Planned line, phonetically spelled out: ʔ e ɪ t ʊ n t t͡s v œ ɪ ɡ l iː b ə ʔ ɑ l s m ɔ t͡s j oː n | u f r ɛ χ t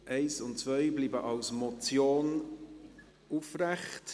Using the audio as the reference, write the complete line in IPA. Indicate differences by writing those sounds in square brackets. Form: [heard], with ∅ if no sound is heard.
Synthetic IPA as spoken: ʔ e ɪ [s] ʊ n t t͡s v œ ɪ [b] l iː b ə ʔ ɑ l s m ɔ t͡s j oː n | u f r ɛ χ t